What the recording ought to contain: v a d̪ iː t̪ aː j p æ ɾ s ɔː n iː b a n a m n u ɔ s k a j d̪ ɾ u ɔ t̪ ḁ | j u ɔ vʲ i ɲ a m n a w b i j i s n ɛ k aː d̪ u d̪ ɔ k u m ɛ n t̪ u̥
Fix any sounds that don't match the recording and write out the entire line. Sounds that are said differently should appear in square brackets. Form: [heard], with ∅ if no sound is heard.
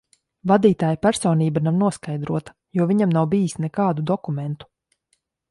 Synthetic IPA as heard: v a d̪ iː t̪ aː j p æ ɾ s ɔː n iː b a n a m n u ɔ s k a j d̪ ɾ u ɔ t̪ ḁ | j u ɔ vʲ i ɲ a m n a w b i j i s n ɛ k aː d̪ u d̪ ɔ k u m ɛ n t̪ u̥